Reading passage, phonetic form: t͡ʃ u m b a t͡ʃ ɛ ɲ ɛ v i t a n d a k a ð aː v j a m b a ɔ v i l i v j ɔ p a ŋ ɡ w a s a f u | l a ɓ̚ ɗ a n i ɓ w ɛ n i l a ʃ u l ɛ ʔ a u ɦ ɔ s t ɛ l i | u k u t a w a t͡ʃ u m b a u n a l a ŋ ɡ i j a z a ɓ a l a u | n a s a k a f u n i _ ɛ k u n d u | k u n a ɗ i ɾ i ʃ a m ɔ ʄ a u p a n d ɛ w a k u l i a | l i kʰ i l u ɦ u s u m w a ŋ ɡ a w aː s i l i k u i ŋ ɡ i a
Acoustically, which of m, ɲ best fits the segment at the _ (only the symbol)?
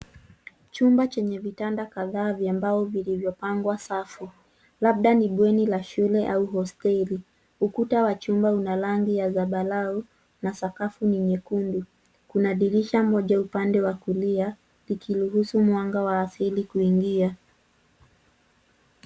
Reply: ɲ